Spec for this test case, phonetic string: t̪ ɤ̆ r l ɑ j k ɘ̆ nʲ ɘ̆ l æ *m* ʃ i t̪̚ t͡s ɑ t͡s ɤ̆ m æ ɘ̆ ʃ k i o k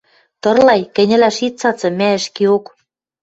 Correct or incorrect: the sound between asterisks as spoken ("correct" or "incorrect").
incorrect